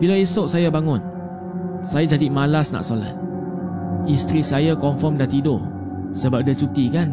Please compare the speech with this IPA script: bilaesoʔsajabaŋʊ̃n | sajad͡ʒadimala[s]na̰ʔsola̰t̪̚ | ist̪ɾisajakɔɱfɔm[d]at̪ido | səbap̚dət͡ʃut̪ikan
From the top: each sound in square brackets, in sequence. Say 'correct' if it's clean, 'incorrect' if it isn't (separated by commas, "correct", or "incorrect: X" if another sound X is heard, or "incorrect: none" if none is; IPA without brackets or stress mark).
correct, correct